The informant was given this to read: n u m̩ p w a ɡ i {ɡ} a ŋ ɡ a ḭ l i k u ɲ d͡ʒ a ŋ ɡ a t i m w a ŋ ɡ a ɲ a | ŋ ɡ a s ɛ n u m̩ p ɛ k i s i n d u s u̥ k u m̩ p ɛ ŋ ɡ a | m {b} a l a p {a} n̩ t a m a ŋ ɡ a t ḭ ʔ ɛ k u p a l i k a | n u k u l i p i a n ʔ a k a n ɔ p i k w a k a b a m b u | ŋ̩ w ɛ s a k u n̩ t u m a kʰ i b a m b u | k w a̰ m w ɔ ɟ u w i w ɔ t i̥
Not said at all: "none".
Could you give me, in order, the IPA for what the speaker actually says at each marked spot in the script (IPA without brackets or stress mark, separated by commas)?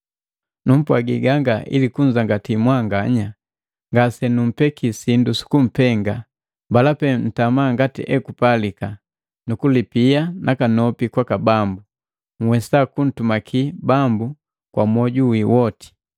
ɡ, b, ɛ